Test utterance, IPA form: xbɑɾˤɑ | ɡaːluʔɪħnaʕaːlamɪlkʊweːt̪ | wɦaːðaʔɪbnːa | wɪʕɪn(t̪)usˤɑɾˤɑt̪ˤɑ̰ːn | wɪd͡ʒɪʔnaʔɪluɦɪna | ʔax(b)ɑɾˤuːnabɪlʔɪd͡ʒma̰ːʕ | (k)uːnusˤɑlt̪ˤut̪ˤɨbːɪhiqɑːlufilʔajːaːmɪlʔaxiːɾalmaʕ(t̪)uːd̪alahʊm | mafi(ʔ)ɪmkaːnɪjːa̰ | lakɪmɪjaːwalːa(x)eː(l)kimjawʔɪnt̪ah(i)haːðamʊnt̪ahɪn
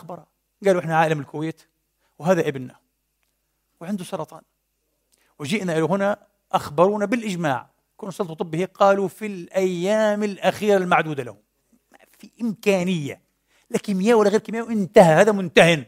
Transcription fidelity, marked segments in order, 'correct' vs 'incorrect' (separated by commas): incorrect, correct, correct, incorrect, correct, incorrect, incorrect, incorrect